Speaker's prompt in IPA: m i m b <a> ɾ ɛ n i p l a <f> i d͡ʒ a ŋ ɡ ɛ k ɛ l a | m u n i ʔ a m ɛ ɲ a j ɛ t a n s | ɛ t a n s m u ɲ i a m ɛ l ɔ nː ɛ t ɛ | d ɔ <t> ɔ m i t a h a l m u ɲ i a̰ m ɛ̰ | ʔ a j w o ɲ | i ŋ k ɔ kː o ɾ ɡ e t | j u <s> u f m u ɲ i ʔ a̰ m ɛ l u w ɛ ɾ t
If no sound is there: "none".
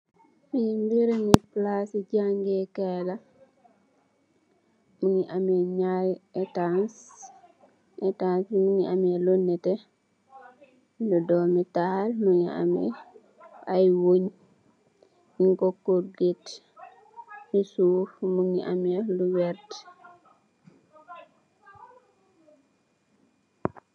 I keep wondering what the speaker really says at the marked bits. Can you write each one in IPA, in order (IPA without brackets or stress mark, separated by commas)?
i, s, d, s